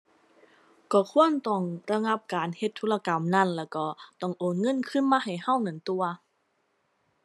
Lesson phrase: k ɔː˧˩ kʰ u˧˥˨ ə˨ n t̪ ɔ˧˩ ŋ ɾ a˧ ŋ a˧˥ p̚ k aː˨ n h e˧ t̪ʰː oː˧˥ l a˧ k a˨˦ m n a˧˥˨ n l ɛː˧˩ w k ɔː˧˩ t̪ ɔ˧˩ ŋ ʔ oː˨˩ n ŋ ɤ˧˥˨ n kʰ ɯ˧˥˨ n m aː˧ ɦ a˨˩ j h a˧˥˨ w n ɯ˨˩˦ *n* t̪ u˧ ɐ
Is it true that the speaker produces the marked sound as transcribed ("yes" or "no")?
yes